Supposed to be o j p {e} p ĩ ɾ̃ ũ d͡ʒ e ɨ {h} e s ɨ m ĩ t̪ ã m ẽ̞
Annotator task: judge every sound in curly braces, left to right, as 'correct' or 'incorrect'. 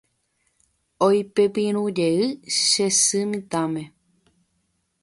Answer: correct, incorrect: ʃ

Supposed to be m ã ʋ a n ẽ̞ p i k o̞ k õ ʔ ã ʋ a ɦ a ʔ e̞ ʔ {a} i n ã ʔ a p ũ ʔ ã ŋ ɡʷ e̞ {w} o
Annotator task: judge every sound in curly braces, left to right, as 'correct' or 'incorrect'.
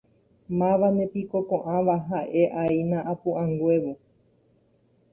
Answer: correct, incorrect: ʋ

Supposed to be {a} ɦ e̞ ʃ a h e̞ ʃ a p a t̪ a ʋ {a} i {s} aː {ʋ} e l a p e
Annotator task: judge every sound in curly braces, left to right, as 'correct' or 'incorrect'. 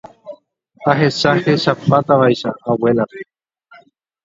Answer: correct, correct, incorrect: ʃ, incorrect: w

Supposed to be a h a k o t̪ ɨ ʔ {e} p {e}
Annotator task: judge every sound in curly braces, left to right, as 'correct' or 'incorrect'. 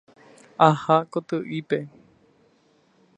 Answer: incorrect: i, correct

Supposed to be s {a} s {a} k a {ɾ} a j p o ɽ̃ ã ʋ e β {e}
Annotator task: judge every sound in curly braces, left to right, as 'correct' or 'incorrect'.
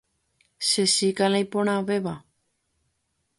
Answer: incorrect: e, incorrect: i, incorrect: l, incorrect: a

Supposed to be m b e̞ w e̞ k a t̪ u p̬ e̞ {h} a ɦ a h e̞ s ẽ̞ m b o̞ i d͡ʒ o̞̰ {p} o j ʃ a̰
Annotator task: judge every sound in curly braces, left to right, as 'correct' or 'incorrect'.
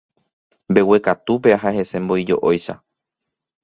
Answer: incorrect: none, incorrect: ʔ

